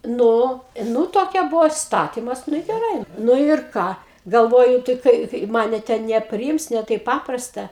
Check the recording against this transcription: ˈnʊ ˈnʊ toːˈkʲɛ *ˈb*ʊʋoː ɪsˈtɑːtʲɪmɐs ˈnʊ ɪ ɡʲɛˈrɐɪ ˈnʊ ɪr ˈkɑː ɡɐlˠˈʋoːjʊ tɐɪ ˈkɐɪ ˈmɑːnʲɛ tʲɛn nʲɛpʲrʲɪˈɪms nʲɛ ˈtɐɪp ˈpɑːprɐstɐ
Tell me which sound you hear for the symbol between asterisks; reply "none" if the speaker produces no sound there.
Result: b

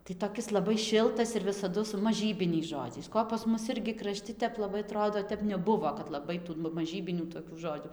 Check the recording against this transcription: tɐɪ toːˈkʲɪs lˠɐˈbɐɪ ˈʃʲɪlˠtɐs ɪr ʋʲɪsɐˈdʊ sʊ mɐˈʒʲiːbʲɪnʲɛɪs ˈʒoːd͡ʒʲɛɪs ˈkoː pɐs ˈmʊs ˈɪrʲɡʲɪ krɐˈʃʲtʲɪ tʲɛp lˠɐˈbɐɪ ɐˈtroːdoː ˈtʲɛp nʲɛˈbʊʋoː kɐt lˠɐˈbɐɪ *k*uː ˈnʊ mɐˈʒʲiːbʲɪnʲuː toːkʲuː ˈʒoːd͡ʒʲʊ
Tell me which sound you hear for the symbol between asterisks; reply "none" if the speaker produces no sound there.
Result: t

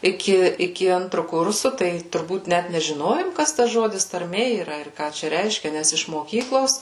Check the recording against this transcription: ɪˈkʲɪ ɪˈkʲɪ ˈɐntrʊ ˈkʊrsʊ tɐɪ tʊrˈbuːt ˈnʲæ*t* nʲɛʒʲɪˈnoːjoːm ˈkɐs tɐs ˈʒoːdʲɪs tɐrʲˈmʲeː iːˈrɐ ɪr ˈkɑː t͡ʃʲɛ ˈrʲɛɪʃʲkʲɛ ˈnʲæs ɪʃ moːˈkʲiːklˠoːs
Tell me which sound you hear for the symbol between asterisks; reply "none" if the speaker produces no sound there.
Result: t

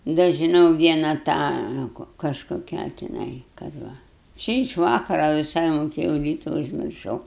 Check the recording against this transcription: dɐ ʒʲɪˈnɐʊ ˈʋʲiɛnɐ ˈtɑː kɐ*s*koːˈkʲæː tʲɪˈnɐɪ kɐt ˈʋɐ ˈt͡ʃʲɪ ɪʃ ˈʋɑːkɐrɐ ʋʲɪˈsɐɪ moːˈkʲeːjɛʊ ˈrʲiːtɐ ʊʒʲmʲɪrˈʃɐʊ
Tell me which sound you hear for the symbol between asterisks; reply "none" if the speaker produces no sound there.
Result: ʃ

